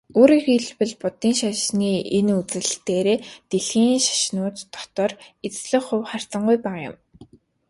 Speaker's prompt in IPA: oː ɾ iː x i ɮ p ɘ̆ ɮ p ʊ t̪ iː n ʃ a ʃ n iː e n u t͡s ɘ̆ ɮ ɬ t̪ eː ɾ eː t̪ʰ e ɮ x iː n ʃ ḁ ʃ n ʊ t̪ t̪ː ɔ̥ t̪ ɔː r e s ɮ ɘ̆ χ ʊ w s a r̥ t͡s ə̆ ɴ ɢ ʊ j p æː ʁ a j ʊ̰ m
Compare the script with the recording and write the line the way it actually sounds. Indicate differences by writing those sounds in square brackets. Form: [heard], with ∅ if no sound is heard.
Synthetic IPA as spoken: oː ɾ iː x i ɮ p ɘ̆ ɮ p ʊ t̪ iː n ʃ a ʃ n iː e n u t͡s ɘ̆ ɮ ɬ t̪ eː ɾ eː [t̪] e ɮ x iː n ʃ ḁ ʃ n [ʊː] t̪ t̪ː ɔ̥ t̪ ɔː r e [t͡s] ɮ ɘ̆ χ ʊ w [χ] a r̥ t͡s ə̆ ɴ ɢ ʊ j p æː ʁ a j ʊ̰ m

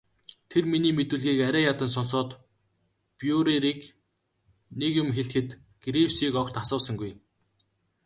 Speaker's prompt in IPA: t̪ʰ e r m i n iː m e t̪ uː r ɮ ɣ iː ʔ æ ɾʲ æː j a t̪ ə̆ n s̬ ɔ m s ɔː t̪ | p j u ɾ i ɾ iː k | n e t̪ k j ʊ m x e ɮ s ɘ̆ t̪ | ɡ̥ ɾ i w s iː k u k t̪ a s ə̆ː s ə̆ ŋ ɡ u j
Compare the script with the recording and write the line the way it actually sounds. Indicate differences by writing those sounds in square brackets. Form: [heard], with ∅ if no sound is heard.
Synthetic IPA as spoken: t̪ʰ e r m i n iː m e t̪ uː [∅] ɮ ɣ iː [k] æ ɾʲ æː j a t̪ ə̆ n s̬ ɔ [n] s ɔː t̪ | p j u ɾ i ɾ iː k | n e [∅] k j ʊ m x e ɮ [x] ɘ̆ t̪ | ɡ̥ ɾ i w s iː k [ɔ] k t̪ a s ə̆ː s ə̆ ŋ ɡ u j

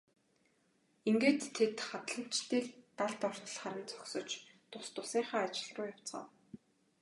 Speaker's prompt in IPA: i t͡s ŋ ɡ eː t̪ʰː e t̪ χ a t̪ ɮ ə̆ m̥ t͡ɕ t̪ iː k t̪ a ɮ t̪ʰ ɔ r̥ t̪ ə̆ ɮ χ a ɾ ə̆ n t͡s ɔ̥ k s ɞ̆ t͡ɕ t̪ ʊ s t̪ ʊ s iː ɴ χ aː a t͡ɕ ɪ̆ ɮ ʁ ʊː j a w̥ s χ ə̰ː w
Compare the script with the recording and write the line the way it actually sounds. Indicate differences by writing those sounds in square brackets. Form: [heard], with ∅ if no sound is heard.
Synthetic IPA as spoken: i [∅] ŋ ɡ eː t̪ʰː e t̪ χ a t̪ ɮ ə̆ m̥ t͡ɕ t̪ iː k t̪ a ɮ [t̪] ɔ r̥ t̪ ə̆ ɮ χ a ɾ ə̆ n t͡s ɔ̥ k s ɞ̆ t͡ɕ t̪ ʊ s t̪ ʊ s iː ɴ χ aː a t͡ɕ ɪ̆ ɮ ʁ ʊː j a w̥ [t͡s] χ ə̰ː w

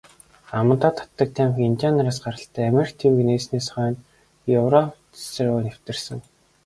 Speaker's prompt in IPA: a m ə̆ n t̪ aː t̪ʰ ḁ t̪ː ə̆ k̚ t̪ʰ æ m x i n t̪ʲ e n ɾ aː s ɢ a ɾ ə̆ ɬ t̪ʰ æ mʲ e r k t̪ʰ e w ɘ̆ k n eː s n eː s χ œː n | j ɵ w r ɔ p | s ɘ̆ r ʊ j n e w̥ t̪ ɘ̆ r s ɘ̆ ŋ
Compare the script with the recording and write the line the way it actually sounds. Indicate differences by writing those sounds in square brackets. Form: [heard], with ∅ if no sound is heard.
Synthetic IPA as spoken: a m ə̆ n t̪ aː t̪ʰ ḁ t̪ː ə̆ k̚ t̪ʰ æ m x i n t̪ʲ [a] n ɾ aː s ɢ a ɾ ə̆ ɬ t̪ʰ [æː] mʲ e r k t̪ʰ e w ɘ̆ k n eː s n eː s χ œː n | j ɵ w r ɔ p | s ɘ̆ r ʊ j n e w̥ t̪ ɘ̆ r s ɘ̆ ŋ

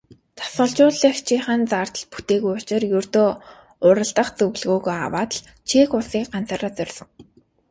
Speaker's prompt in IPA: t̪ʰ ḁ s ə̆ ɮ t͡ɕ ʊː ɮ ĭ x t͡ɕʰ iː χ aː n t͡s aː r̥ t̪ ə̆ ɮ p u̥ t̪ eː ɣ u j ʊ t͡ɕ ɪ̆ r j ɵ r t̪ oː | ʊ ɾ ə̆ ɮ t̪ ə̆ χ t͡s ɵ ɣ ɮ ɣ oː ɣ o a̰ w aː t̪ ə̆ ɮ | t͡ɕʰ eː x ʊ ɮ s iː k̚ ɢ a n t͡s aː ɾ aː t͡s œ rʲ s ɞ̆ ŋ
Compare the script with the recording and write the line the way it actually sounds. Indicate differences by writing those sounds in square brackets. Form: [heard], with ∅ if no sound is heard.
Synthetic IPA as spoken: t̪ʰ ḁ s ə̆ ɮ t͡ɕ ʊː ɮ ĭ x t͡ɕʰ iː χ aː n t͡s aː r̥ t̪ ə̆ ɮ p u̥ t̪ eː ɣ u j ʊ t͡ɕ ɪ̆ r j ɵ r t̪ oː | ʊ ɾ ə̆ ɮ t̪ ə̆ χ t͡s ɵ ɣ ɮ ɣ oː ɣ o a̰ w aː t̪ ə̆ ɮ | t͡ɕʰ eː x ʊ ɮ s iː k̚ ɢ a n t͡s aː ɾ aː t͡s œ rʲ s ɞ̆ ŋ

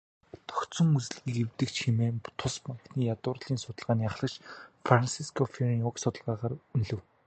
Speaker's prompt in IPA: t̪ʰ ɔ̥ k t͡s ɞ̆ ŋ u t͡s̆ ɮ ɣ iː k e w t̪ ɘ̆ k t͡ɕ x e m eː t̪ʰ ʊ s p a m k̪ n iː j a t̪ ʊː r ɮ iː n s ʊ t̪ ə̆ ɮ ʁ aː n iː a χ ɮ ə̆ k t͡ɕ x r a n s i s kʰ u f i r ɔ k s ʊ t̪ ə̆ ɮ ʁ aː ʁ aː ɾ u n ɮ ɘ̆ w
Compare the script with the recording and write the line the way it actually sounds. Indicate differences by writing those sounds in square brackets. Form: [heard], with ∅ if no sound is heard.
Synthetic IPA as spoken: t̪ʰ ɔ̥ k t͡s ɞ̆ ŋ u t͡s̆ ɮ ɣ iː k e w t̪ ɘ̆ k t͡ɕ x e m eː t̪ʰ ʊ s p a [ŋ] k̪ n iː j a t̪ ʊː r ɮ iː n s ʊ t̪ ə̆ ɮ ʁ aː n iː a χ ɮ ə̆ k t͡ɕ [f] r a n s i s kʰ [ɔ] f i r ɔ k s ʊ t̪ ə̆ ɮ ʁ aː ʁ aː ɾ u n ɮ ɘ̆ w

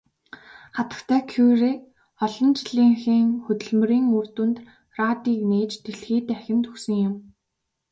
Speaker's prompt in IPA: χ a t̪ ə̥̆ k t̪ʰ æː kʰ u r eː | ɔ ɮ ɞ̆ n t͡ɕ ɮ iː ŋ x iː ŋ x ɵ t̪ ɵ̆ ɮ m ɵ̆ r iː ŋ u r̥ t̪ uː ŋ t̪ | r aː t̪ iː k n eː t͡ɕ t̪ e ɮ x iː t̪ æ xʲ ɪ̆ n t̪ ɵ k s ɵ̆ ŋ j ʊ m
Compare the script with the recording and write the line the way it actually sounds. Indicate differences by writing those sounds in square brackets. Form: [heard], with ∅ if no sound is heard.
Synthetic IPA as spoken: χ a t̪ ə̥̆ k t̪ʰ æː kʰ u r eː | ɔ ɮ ɞ̆ n t͡ɕ ɮ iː ŋ x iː ŋ x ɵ t̪ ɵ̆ ɮ m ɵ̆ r iː ŋ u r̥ t̪ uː [n] t̪ | r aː t̪ iː k n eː t͡ɕ t̪ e ɮ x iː t̪ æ xʲ ɪ̆ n t̪ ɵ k s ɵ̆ ŋ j ʊ m

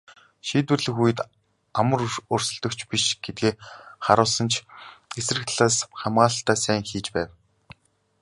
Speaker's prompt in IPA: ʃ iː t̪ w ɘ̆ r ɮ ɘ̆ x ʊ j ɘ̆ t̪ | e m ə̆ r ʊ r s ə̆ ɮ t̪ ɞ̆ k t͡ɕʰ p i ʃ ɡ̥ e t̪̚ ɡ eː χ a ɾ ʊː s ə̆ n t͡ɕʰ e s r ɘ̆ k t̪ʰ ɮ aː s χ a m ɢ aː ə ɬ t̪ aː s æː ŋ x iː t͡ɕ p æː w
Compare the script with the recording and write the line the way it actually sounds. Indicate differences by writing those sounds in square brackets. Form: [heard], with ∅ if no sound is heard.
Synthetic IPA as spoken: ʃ iː t̪ w ɘ̆ r ɮ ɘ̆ x [u] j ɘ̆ t̪ | [a] m ə̆ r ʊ r s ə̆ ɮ t̪ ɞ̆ k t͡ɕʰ p i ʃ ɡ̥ e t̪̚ ɡ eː χ a ɾ ʊː s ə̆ n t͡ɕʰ e s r ɘ̆ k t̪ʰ ɮ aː s χ a m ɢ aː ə ɬ t̪ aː s æː ŋ x iː t͡ɕ p æː w

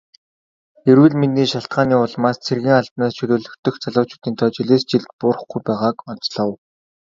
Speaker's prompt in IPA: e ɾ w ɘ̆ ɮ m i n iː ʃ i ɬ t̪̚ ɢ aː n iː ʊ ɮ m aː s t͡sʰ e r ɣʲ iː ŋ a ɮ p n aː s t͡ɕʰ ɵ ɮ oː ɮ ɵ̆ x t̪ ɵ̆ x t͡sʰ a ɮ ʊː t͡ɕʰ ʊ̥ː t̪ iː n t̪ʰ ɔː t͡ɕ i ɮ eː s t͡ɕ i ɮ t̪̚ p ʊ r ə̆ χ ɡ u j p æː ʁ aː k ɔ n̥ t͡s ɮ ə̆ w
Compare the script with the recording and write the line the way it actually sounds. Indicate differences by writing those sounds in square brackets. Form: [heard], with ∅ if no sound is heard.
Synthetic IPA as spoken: e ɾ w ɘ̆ ɮ m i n iː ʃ [a] ɬ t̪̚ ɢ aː n iː ʊ ɮ m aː s t͡sʰ e r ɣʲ iː ŋ a ɮ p n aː s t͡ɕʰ ɵ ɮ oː ɮ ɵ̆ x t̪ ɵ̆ x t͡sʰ a ɮ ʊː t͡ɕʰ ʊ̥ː t̪ iː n t̪ʰ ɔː t͡ɕ i ɮ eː s t͡ɕ i ɮ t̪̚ p ʊ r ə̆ χ ɡ u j p æː ʁ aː k ɔ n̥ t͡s ɮ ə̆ w

